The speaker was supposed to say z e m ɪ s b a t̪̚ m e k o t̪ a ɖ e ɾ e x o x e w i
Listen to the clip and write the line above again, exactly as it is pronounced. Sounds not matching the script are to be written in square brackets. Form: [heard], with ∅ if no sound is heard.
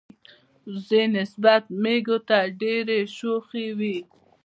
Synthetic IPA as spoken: z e [n] ɪ s b a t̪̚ m e [ɡ] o t̪ a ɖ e ɾ e [ʃ] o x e w i